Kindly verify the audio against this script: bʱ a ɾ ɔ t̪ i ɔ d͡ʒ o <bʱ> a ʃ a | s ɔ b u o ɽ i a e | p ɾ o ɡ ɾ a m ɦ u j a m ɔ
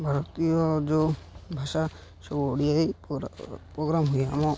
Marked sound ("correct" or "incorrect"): correct